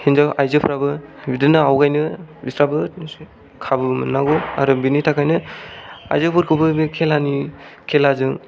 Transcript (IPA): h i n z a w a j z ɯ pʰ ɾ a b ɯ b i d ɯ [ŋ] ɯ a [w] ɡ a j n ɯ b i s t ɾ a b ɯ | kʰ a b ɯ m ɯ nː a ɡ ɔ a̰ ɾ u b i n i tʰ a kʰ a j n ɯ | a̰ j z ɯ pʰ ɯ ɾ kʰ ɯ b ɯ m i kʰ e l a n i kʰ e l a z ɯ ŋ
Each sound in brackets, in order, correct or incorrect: incorrect: n, correct

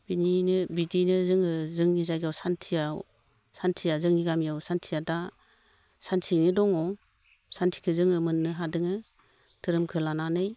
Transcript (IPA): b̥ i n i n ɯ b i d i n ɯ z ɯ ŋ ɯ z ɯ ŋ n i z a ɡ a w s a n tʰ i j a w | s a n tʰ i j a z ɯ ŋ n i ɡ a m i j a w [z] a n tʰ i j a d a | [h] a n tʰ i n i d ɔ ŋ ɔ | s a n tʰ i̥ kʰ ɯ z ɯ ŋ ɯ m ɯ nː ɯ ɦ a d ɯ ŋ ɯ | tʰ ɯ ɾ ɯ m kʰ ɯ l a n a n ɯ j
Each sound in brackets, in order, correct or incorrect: incorrect: s, incorrect: s

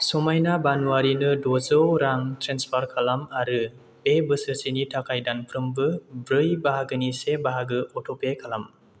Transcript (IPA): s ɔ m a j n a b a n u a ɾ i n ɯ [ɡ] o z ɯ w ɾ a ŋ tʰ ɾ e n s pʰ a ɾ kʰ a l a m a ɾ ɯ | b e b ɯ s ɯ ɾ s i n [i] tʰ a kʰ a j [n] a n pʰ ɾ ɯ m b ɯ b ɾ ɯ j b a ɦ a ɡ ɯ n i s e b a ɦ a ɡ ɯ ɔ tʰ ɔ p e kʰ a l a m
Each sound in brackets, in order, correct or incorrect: incorrect: d, correct, incorrect: d

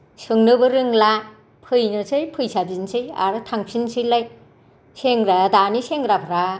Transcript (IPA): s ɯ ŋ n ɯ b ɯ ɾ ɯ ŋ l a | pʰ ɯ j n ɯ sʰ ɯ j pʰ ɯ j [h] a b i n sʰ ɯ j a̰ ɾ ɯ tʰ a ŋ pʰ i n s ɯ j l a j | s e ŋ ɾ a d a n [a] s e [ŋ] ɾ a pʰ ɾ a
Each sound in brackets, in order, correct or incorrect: incorrect: s, incorrect: i, correct

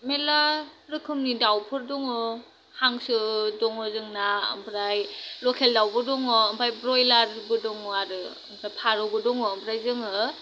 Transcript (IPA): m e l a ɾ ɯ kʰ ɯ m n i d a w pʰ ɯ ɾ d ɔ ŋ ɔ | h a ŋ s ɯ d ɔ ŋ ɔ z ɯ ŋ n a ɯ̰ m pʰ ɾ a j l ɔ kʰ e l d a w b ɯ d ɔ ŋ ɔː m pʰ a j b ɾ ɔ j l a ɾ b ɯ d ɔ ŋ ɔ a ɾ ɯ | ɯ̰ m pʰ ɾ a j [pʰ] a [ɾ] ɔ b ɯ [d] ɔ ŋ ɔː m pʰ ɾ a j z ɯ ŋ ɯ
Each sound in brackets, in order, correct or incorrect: correct, correct, correct

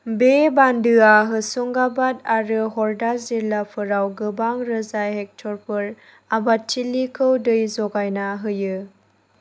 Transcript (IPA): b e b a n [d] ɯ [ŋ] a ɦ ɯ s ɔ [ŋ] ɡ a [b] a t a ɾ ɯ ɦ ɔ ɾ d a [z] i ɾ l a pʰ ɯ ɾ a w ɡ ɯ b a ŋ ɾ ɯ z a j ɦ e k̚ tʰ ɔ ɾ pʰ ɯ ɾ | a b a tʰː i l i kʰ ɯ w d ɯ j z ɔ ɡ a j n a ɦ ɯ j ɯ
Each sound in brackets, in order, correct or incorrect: correct, incorrect: none, correct, correct, correct

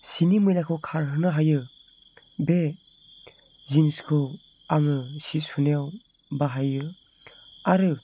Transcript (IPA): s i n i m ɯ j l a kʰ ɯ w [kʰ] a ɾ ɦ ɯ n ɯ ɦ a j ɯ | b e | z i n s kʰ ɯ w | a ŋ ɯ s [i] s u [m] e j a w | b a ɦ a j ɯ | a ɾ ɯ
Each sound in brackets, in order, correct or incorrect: correct, correct, incorrect: n

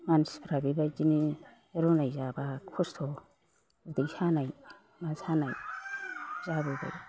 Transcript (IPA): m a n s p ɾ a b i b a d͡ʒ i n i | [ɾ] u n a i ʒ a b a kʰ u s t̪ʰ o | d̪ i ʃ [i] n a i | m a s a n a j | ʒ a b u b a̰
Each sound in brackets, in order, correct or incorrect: correct, incorrect: a

